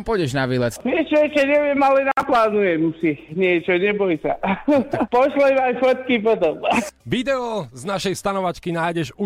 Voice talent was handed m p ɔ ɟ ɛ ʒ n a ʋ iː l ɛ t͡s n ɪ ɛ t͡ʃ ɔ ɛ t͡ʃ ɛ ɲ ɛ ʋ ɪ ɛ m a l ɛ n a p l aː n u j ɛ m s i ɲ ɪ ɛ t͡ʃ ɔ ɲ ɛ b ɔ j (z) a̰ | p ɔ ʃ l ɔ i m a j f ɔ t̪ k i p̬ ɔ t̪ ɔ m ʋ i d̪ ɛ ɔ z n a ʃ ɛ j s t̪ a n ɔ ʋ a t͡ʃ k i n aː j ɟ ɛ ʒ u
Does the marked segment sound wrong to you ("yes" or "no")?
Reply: yes